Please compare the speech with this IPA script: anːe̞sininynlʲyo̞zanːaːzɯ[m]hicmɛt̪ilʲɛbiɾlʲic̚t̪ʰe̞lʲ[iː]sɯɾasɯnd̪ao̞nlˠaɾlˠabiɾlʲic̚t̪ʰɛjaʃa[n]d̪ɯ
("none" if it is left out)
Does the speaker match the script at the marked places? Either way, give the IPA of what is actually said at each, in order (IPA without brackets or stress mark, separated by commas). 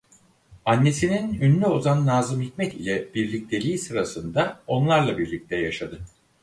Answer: m, iː, none